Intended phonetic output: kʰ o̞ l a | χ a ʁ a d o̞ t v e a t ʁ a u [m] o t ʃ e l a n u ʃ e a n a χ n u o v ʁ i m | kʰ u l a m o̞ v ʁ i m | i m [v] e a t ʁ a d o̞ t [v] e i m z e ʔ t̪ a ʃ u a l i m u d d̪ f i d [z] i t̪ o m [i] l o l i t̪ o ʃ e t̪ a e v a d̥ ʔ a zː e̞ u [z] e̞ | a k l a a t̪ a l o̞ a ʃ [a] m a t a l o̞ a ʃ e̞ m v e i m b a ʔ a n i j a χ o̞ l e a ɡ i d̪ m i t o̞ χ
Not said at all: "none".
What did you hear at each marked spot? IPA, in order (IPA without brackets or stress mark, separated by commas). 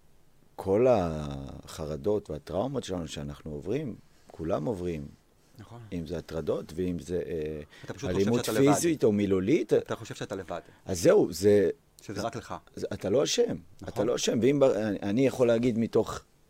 m, z, v, z, i, z, e